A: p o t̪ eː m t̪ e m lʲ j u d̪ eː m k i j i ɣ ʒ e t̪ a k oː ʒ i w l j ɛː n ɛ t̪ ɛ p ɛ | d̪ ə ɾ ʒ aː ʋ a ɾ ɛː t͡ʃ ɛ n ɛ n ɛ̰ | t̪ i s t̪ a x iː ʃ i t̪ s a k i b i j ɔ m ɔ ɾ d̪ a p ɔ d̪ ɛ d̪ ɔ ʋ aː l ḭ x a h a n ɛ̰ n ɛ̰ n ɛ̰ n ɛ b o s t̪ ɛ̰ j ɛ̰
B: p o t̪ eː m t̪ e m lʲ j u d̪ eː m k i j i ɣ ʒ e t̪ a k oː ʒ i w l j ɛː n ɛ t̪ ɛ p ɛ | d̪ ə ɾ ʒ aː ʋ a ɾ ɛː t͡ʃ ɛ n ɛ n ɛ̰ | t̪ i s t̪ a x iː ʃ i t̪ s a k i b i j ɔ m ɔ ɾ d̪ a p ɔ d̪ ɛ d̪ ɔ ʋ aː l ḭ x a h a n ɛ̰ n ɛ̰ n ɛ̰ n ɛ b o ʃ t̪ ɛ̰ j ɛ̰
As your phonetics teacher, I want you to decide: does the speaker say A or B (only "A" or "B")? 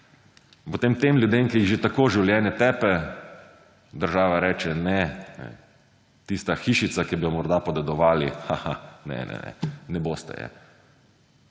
A